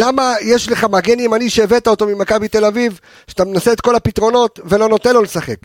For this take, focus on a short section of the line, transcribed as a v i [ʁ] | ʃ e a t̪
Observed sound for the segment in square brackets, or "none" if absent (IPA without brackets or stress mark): v